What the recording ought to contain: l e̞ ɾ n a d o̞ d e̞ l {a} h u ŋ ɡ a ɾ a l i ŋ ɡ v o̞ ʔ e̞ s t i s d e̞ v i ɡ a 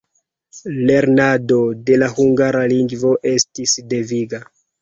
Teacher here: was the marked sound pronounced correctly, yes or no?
yes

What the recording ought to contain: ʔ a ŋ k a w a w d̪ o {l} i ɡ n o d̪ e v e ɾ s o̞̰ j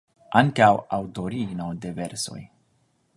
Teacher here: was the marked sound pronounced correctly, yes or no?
no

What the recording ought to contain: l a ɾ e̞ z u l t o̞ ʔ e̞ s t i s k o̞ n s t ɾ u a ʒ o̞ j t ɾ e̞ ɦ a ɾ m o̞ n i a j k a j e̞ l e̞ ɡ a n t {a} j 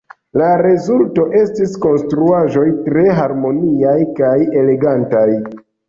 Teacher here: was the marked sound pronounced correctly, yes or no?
yes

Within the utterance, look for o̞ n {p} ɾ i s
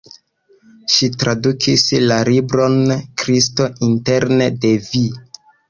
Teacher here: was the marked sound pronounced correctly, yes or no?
no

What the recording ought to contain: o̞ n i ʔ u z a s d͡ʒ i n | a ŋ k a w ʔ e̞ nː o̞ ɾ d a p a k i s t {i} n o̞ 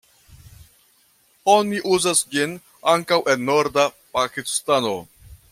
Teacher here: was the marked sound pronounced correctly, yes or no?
no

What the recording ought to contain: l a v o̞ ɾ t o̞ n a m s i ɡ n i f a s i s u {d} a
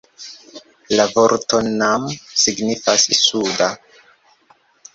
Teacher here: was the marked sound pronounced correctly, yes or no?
yes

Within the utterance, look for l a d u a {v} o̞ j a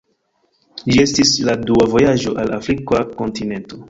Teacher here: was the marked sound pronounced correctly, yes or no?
yes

